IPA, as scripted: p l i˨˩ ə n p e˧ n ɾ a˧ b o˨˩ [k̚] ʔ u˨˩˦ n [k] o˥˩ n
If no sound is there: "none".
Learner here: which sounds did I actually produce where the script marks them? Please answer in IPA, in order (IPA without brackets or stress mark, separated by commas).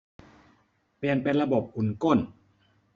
p̚, k